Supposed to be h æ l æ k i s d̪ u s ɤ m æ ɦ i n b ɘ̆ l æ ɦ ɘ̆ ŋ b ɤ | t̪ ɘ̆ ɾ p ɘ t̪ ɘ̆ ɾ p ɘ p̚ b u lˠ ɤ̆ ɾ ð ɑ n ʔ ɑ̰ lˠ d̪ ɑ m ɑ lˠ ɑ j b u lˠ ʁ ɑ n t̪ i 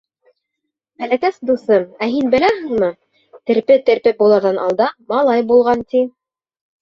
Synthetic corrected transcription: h æ l æ k æ s d̪ u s ɤ m æ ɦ i n b ɘ̆ l æ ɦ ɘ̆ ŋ m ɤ | t̪ ɘ̆ ɾ p ɘ t̪ ɘ̆ ɾ p ɘ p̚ b u lˠ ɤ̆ ɾ ð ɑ n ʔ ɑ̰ lˠ d̪ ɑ m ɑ lˠ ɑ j b u lˠ ʁ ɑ n t̪ i

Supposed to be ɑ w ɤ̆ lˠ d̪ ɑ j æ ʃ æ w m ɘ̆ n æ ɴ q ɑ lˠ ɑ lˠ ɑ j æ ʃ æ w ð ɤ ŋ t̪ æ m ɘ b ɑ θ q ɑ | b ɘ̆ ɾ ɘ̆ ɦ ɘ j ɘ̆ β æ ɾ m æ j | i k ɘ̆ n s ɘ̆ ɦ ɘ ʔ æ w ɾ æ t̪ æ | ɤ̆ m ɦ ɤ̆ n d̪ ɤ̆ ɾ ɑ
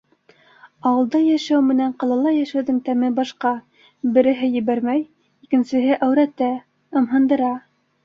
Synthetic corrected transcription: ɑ w ɤ̆ lˠ d̪ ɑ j æ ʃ æ w m ɘ̆ n æ ɴ q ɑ lˠ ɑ lˠ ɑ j æ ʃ æ w ð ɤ ŋ t̪ æ m ɘ b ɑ ʃ q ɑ | b ɘ̆ ɾ ɘ̆ ɦ ɘ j ɘ̆ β æ ɾ m æ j | i k ɘ̆ n s ɘ̆ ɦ ɘ ʔ æ w ɾ æ t̪ æ | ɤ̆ m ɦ ɤ̆ n d̪ ɤ̆ ɾ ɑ

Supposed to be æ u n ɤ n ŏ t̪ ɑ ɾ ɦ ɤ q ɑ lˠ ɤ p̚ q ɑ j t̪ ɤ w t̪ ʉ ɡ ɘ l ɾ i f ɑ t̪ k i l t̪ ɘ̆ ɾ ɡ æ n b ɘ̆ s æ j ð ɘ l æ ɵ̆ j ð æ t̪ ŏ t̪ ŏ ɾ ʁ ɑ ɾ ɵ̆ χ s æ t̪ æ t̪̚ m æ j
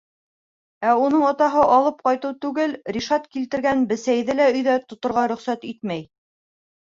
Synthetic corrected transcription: æ u n ɤ ɴ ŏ t̪ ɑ ɦ ɤ ʔ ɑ lˠ ɤ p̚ q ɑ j t̪ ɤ w t̪ ʉ ɡ ɘ l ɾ i ʃ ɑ t̪ k i l t̪ ɘ̆ ɾ ɡ æ n b ɘ̆ s æ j ð ɘ l æ ɵ̆ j ð æ t̪ ŏ t̪ ŏ ɾ ʁ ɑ ɾ ɵ̆ χ s æ t̪ i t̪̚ m æ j

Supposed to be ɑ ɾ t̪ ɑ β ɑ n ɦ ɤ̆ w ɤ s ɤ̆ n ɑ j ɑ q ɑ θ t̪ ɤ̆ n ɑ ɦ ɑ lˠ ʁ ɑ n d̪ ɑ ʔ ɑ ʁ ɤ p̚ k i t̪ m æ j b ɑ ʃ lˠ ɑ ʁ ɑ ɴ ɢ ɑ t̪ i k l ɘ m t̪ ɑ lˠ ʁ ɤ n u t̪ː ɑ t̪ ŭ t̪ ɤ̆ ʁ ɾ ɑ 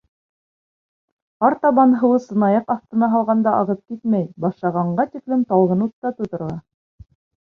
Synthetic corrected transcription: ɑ ɾ t̪ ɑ β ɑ n ɦ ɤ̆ w ɤ s ɤ̆ n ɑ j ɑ q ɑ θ t̪ ɤ̆ n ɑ ɦ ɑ lˠ ʁ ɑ n d̪ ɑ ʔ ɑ ʁ ɤ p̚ k i t̪ m æ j b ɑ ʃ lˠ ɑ ʁ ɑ ɴ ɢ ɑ t̪ i k l ɘ m t̪ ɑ lˠ ʁ ɤ n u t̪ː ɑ t̪ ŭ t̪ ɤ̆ ɾ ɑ

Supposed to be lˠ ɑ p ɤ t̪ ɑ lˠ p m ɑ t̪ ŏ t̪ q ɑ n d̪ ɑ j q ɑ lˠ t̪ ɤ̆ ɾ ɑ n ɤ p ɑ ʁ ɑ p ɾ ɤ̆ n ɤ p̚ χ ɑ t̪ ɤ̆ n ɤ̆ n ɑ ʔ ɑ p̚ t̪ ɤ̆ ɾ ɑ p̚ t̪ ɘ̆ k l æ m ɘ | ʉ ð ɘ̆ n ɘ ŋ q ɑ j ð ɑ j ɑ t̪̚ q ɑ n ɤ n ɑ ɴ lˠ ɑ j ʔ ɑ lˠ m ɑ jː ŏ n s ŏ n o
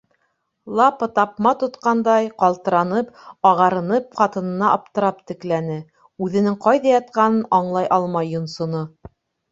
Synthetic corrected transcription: lˠ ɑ p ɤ t̪ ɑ p m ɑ t̪ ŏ t̪ q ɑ n d̪ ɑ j q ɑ lˠ t̪ ɤ̆ ɾ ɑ n ɤ p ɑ ʁ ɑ ɾ ɤ̆ n ɤ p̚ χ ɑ t̪ ɤ̆ n ɤ̆ n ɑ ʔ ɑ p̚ t̪ ɤ̆ ɾ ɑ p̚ t̪ ɘ̆ k l æ n ɘ | ʉ ð ɘ̆ n ɘ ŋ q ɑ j ð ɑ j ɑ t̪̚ q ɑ n ɤ n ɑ ɴ lˠ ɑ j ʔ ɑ lˠ m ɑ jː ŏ n s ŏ n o

